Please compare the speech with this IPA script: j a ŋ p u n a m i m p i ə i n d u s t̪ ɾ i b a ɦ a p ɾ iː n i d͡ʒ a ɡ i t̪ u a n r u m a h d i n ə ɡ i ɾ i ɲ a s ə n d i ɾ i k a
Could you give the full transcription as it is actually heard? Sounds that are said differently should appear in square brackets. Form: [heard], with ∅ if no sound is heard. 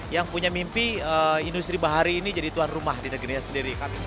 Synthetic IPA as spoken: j a ŋ p u [ɲ] a m i m p i ə i n d u s t̪ ɾ i b a ɦ a [∅] ɾ iː n i d͡ʒ a [d] i t̪ u a n r u m a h d i n ə ɡ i ɾ i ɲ a s ə n d i ɾ i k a